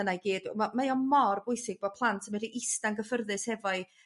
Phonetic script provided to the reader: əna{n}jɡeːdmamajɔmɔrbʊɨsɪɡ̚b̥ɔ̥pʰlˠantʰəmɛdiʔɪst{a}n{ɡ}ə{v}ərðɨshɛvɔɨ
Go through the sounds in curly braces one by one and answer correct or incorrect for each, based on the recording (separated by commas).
incorrect, correct, correct, incorrect